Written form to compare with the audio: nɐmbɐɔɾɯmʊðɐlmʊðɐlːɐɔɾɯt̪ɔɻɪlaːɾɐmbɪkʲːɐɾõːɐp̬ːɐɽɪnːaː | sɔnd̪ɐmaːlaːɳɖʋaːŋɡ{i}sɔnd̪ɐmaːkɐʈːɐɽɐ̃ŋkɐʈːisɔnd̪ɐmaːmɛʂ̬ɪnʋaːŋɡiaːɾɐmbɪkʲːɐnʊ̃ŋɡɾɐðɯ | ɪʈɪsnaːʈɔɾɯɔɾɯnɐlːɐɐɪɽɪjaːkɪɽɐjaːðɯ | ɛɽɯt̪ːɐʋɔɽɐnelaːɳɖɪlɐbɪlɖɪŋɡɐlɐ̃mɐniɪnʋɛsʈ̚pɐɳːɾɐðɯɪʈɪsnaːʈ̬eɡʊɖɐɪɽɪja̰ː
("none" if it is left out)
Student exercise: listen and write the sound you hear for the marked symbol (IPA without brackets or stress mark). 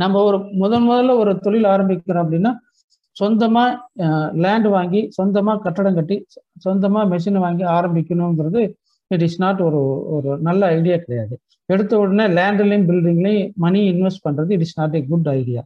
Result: i